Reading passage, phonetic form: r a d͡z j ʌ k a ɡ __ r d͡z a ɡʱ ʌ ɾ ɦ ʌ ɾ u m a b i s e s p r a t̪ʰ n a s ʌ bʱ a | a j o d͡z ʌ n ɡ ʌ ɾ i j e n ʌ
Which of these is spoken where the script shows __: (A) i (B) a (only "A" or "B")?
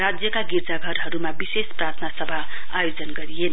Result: A